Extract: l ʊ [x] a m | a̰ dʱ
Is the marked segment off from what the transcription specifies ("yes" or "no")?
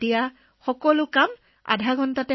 yes